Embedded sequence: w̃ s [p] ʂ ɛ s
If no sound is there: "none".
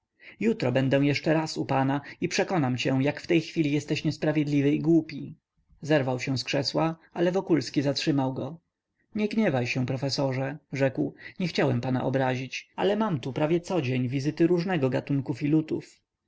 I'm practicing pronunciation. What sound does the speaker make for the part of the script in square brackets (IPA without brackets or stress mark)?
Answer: k